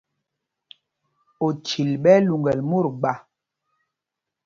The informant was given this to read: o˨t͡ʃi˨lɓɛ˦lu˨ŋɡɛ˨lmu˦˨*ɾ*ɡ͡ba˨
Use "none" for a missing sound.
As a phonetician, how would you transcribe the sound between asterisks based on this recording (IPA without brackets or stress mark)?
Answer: ɾ